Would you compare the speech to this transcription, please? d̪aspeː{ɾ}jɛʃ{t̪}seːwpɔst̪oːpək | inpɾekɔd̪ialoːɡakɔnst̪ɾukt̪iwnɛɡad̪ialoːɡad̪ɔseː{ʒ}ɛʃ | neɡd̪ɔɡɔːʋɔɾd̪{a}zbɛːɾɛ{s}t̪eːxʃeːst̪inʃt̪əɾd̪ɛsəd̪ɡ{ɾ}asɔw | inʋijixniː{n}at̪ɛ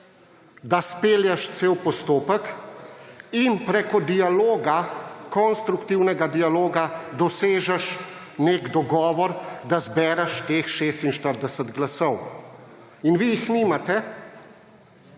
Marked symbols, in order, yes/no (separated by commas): no, yes, yes, yes, no, no, no